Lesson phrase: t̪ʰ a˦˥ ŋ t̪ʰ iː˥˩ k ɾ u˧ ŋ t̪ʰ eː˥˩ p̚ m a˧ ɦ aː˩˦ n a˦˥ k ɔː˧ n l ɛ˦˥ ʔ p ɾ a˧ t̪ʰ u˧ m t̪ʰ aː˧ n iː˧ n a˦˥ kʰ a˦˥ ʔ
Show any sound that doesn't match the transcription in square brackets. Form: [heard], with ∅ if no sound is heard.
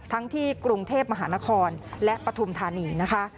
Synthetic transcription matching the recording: t̪ʰ a˦˥ ŋ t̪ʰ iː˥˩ k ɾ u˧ ŋ t̪ʰ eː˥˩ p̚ m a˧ ɦ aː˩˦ n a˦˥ [kʰ] ɔː˧ n l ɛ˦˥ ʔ p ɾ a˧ t̪ʰ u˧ m t̪ʰ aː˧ n iː˧ n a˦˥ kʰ a˦˥ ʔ

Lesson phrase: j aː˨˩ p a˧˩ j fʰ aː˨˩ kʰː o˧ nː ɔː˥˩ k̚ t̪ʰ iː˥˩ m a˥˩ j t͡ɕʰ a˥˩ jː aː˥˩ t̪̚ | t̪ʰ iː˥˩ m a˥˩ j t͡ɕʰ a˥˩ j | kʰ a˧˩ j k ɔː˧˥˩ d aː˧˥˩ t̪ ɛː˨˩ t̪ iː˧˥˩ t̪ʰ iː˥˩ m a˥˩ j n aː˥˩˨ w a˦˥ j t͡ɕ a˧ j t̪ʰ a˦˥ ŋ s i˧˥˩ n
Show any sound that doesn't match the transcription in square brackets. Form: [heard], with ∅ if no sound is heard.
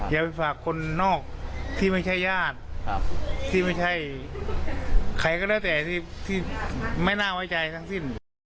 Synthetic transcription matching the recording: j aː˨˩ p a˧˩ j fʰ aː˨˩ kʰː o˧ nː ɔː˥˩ k̚ t̪ʰ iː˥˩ m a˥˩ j t͡ɕʰ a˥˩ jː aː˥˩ t̪̚ | t̪ʰ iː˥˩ m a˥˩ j t͡ɕʰ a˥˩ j | kʰ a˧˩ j k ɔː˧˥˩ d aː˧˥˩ t̪ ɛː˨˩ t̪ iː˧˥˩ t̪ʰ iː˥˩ m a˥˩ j n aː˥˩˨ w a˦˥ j t͡ɕ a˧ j t̪ʰ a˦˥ ŋ s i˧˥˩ n

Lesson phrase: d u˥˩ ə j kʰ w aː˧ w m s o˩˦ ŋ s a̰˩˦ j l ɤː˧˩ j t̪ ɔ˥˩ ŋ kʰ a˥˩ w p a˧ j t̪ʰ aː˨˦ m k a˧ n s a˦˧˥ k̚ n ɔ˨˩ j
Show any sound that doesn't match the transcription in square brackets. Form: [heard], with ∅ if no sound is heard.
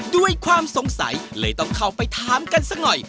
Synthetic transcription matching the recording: d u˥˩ ə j kʰ w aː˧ [∅] m s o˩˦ ŋ s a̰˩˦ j l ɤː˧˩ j t̪ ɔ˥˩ ŋ kʰ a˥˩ w p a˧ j t̪ʰ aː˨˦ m k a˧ n s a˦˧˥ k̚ n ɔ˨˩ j

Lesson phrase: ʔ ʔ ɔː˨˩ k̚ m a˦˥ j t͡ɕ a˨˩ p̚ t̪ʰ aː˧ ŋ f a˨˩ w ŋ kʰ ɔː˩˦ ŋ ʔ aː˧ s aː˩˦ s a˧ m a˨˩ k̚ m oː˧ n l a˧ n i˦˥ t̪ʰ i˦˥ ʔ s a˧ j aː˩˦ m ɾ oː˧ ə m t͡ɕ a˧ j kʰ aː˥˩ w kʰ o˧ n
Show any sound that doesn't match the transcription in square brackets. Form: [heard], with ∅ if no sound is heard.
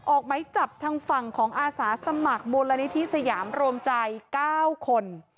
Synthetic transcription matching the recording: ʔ ʔ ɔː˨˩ k̚ m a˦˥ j t͡ɕ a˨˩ p̚ t̪ʰ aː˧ ŋ f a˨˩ [∅] ŋ kʰ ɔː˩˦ ŋ ʔ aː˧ s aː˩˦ s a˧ m a˨˩ k̚ m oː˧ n l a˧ n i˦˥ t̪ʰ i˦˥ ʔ s a˧ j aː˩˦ m ɾ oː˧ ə m t͡ɕ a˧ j [k] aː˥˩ w kʰ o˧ n

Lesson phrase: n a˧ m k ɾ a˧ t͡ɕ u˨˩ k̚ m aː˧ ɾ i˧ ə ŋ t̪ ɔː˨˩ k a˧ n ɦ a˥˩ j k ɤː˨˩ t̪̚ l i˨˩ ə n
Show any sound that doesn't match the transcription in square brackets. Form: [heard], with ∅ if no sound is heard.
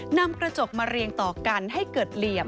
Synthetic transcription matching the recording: n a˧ m k ɾ a˧ t͡ɕ [o˨˩] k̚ m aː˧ ɾ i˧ ə ŋ t̪ ɔː˨˩ k a˧ n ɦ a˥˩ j k ɤː˨˩ t̪̚ l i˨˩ ə [m]

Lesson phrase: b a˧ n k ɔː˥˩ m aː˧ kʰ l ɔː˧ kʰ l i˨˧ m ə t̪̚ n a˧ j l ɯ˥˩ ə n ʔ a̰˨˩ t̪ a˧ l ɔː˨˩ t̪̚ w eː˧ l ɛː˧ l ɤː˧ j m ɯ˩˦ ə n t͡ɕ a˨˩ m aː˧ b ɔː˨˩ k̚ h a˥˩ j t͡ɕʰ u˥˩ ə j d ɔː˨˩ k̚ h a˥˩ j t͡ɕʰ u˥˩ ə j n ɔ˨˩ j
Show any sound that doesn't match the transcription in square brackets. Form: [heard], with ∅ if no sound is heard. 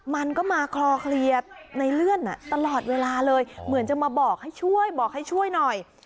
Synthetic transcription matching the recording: [m] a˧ n k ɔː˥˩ m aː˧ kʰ l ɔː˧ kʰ l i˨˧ [∅] ə t̪̚ n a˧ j l ɯ˥˩ ə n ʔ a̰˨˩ t̪ a˧ l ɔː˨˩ t̪̚ w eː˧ l [aː˧] l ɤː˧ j m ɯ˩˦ ə n t͡ɕ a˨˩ m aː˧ b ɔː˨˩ k̚ h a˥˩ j t͡ɕʰ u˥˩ ə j [b] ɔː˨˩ k̚ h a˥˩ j t͡ɕʰ u˥˩ ə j n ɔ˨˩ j

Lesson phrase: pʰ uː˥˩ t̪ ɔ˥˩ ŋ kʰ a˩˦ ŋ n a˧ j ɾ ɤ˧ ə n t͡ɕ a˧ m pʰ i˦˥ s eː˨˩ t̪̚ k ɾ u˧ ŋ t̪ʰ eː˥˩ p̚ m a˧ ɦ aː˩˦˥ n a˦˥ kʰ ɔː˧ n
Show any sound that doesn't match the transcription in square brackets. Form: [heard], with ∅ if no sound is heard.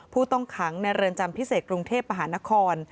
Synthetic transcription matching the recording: pʰ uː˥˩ t̪ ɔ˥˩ ŋ kʰ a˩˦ ŋ n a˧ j ɾ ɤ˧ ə n t͡ɕ a˧ m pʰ i˦˥ s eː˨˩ t̪̚ k ɾ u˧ ŋ t̪ʰ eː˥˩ p̚ m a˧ ɦ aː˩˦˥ n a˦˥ kʰ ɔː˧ n

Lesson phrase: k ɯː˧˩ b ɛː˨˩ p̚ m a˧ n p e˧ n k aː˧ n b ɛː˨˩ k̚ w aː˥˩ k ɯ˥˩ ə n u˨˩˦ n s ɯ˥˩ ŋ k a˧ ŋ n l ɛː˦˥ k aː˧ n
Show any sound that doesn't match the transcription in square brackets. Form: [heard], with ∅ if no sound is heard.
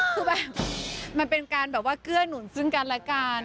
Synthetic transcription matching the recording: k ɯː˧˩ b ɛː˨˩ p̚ m a˧ n p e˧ n k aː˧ n b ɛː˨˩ [p̚] w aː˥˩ k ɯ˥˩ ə n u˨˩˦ n s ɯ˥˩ ŋ k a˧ [∅] n l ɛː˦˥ k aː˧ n

